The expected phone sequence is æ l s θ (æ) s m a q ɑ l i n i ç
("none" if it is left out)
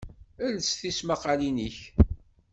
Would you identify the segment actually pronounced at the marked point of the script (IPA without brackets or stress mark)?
i